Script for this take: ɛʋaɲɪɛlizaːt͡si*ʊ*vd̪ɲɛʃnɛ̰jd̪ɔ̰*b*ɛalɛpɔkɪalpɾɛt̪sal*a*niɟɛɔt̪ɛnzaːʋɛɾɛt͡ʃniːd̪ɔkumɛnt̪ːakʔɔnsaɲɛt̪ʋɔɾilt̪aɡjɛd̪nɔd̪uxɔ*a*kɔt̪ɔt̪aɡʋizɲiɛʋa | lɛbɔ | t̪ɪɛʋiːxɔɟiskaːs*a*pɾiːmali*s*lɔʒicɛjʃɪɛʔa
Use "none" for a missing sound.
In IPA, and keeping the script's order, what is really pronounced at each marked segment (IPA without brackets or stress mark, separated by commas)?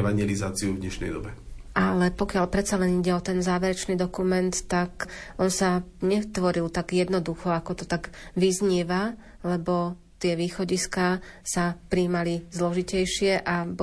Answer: u, b, ɛ, a, a, z